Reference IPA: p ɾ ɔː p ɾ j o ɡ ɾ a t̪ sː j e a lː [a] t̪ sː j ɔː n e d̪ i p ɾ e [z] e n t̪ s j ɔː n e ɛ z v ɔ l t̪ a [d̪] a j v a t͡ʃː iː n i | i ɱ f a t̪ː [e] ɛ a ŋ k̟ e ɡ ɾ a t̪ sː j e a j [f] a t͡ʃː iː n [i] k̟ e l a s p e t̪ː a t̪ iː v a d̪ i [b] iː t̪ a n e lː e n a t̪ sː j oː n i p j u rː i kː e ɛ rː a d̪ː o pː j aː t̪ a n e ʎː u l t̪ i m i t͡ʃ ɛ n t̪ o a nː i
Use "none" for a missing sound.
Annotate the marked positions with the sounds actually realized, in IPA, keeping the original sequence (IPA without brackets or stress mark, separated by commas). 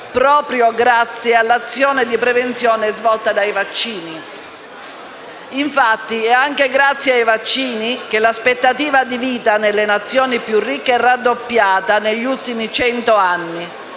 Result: a, v, d̪, i, v, i, v